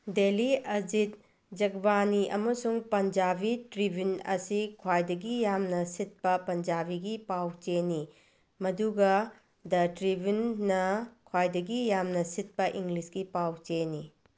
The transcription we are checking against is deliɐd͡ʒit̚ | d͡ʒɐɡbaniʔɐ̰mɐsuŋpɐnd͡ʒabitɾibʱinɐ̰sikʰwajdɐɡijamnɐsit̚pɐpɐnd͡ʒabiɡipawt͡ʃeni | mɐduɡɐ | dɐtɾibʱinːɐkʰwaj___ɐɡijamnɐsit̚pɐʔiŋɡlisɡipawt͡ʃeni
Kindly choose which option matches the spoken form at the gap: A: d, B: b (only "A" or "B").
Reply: A